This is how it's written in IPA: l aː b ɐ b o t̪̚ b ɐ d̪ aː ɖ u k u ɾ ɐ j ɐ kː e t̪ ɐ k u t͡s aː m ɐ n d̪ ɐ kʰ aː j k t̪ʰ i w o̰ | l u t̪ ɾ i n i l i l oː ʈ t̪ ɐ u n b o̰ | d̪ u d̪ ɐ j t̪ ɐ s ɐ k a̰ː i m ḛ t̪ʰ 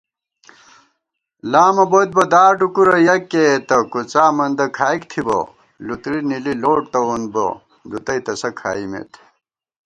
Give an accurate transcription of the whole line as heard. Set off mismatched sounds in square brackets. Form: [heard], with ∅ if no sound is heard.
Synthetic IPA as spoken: l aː [m] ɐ b o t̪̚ b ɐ d̪ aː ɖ u k u ɾ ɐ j ɐ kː e t̪ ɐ k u t͡s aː m ɐ n d̪ ɐ kʰ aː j k t̪ʰ i [b] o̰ | l u t̪ ɾ i n i l i l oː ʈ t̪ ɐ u n b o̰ | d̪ u [t̪] ɐ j t̪ ɐ s ɐ [kʰ] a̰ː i m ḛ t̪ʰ

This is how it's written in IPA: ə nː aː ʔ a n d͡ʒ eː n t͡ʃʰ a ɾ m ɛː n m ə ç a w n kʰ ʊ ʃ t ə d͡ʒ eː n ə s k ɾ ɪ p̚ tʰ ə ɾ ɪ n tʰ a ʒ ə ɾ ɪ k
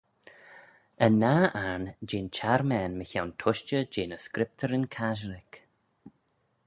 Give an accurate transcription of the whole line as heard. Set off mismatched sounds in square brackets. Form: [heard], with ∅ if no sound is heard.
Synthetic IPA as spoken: ə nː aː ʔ a n d͡ʒ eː n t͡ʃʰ a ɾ m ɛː n m ə ç a w n [tʰ] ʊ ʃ [t͡ʃ] ə d͡ʒ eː n ə s k ɾ ɪ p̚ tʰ ə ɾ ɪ n [kʰ] a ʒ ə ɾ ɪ k

